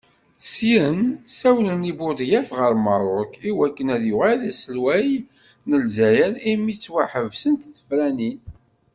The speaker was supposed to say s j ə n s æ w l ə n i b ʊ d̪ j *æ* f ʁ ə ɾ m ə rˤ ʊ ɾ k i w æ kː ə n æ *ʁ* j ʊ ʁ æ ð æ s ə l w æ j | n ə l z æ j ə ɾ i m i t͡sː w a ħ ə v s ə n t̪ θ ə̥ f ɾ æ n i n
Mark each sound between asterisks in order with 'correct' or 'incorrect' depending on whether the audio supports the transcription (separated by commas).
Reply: correct, incorrect